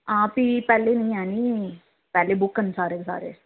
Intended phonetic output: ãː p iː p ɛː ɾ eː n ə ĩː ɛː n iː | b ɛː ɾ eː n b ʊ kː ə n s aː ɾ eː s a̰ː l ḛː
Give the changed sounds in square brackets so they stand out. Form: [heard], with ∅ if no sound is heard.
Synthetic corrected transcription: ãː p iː p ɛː [l] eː n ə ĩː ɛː n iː | [p] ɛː [l] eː [∅] b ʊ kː ə n s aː ɾ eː s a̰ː [ɾ] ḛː